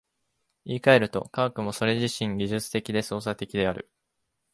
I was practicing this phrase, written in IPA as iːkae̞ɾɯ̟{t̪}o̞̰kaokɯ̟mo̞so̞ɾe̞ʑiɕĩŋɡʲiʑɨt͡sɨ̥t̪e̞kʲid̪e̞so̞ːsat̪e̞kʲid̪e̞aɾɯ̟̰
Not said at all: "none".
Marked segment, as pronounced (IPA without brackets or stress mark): t̪